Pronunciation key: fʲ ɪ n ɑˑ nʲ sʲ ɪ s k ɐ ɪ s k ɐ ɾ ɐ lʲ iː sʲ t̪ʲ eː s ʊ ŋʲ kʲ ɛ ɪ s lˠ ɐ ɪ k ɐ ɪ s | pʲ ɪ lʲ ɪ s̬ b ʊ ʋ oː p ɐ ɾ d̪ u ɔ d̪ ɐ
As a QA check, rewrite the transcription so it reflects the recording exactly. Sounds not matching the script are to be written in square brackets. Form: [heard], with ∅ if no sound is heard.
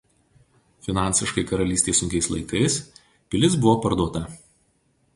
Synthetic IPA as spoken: fʲ ɪ n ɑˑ nʲ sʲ ɪ [ʃ] k ɐ ɪ [∅] k ɐ ɾ ɐ lʲ iː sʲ t̪ʲ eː s ʊ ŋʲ kʲ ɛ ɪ s lˠ ɐ ɪ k ɐ ɪ s | pʲ ɪ lʲ ɪ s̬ b ʊ ʋ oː p ɐ ɾ d̪ u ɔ [t̪] ɐ